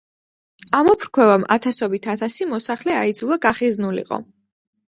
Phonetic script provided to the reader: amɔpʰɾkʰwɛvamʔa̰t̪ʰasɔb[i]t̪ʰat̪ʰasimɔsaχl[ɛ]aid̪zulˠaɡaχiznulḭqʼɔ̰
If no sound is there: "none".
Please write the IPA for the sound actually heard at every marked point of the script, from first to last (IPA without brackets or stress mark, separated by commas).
i, ɛ